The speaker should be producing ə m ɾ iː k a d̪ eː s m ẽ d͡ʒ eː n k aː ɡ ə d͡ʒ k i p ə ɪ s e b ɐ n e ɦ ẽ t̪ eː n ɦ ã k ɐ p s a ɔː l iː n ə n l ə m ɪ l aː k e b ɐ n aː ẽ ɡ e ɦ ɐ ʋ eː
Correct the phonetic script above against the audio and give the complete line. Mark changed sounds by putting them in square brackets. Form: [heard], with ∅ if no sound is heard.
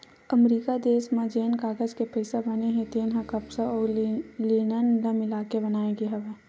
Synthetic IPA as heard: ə m ɾ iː k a d̪ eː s m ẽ d͡ʒ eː n k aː ɡ ə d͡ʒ k [e] p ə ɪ s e b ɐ n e ɦ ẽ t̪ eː n ɦ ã k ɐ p s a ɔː l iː n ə n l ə m ɪ l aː k e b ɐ n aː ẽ ɡ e ɦ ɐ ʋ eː